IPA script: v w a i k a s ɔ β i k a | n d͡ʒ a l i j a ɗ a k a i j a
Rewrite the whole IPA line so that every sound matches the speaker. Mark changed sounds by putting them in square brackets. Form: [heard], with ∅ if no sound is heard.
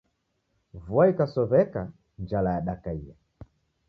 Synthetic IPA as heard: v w a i k a s ɔ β [ɛ] k a | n d͡ʒ a l [a] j a ɗ a k a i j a